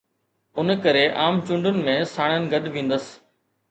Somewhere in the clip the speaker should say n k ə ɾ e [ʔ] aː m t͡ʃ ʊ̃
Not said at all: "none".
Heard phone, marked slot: ʔ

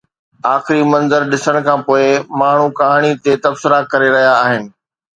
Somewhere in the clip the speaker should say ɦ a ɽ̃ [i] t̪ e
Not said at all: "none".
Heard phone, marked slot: i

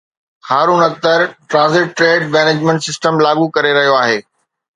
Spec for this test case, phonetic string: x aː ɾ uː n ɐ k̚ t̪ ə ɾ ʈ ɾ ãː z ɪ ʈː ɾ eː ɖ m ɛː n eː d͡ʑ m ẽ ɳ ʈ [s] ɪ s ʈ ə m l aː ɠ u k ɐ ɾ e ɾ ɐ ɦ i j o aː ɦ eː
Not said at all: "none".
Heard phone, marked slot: s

